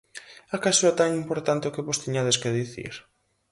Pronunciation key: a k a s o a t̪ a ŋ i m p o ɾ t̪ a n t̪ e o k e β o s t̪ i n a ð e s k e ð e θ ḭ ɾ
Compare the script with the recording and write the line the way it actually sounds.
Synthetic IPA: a k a s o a t̪ a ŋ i m p o ɾ t̪ a n t̪ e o k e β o s t̪ i ɲ a ð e s k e ð i θ ḭ ɾ